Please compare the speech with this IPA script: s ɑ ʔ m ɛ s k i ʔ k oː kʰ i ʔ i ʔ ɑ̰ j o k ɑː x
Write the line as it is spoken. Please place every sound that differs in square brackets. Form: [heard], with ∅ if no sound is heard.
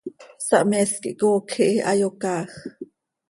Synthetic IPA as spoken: s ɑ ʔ m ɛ s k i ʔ k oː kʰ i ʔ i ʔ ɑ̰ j o k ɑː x